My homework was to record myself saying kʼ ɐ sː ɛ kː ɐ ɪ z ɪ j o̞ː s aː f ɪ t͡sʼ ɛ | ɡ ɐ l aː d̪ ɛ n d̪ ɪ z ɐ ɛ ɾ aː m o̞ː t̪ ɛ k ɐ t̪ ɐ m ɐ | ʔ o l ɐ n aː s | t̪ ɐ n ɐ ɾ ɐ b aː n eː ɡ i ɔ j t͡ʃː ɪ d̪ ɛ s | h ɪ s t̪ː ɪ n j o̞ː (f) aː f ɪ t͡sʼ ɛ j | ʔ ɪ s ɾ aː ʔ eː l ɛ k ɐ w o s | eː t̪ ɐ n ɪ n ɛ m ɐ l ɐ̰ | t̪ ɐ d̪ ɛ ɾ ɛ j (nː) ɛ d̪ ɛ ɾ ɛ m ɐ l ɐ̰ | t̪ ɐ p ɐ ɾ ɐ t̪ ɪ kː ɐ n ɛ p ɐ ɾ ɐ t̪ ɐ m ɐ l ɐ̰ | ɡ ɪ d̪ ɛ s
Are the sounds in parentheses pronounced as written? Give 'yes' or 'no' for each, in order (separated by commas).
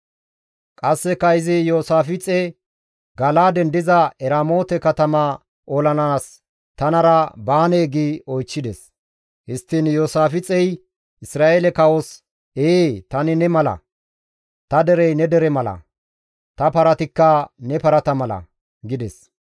no, no